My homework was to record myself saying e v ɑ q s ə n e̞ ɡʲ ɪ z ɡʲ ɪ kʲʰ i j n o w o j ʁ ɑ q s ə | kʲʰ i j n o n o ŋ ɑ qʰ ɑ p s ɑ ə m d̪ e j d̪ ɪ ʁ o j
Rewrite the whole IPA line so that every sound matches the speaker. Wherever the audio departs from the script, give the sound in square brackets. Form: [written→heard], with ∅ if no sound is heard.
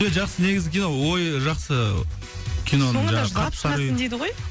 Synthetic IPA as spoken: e [v→ʒ] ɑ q s ə n e̞ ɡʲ ɪ z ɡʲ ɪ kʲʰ i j n o w o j [ʁ→ʒ] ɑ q s ə | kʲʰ i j n o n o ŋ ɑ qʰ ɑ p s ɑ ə [m→n] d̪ e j d̪ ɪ ʁ o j